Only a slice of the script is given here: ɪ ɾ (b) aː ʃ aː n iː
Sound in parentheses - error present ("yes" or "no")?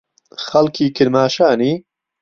yes